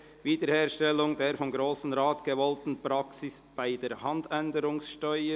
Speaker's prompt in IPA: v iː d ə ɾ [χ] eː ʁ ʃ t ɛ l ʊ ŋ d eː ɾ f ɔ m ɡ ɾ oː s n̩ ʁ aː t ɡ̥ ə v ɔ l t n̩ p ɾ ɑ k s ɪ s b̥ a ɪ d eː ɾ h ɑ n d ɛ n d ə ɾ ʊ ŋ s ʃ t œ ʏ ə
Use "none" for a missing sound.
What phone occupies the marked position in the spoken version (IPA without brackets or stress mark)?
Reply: h